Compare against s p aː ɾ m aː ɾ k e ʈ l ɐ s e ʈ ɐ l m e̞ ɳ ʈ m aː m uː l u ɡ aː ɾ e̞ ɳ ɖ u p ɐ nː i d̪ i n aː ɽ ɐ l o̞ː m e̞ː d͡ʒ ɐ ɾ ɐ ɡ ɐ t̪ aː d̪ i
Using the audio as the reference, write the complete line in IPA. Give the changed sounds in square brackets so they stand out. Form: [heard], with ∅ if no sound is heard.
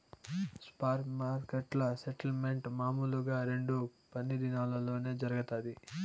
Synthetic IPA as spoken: s p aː ɾ m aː ɾ k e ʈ l ɐ s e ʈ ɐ l m e̞ ɳ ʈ m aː m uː l u ɡ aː ɾ e̞ ɳ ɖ u p ɐ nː i d̪ i n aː [l] ɐ l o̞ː [n] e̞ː d͡ʒ ɐ ɾ ɐ ɡ ɐ t̪ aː d̪ i